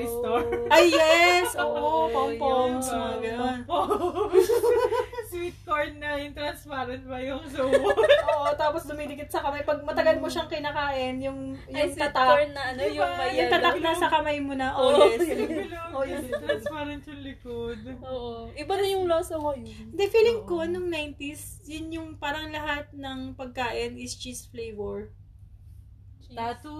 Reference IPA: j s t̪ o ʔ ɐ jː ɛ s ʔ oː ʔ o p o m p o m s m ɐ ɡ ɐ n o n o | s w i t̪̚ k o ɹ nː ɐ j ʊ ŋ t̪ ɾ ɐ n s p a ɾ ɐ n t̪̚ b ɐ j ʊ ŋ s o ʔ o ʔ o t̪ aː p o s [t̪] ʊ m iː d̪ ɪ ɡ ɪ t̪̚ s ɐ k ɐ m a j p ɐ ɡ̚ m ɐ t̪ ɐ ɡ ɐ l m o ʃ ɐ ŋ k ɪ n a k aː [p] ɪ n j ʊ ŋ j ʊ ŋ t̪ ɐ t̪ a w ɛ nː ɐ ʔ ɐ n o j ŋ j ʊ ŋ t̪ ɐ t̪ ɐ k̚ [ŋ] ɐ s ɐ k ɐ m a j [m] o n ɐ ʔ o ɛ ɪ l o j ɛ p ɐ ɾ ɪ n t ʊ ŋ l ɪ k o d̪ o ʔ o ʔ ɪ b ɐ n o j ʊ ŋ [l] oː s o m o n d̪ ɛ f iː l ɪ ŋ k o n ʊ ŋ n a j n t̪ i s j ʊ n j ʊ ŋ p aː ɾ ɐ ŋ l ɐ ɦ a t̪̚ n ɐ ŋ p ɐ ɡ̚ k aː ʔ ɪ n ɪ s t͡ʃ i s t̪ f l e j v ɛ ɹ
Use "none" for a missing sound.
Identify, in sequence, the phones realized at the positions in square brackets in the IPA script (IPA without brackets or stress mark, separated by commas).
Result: d̪, ʔ, n, m, l